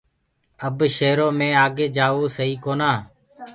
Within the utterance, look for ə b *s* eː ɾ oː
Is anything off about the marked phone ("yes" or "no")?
yes